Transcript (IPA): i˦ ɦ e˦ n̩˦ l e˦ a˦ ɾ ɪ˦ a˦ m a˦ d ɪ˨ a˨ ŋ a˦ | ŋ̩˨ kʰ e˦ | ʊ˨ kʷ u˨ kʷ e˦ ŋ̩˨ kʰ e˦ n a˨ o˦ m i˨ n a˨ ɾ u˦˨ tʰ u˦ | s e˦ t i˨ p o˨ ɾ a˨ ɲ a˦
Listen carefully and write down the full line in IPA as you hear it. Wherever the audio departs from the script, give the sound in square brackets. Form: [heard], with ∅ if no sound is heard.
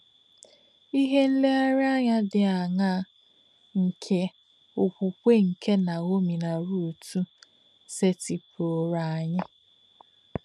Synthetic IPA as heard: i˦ ɦ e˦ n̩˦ l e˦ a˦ ɾ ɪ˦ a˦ [ɲ] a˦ d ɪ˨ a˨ ŋ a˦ | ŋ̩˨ kʰ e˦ | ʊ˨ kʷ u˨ kʷ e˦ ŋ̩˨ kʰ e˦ n a˨ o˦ m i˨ n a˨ ɾ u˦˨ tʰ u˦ | s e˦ t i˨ p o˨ ɾ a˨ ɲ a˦